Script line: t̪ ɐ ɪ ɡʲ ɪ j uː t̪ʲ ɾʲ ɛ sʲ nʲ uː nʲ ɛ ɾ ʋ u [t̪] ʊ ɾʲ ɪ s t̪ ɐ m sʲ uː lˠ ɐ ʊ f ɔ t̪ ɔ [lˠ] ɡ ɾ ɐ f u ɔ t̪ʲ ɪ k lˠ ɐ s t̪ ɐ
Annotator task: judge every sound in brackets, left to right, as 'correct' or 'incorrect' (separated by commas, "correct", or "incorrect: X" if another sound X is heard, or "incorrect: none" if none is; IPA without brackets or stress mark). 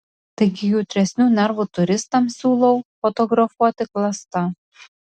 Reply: correct, incorrect: none